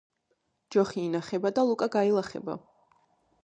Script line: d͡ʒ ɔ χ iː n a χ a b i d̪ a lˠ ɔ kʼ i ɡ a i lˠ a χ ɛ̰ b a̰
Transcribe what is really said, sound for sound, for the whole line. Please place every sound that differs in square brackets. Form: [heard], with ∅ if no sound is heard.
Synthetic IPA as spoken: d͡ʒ ɔ χ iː n a χ [ɛ] b [a] d̪ a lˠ [u] kʼ [a] ɡ a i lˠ a χ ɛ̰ b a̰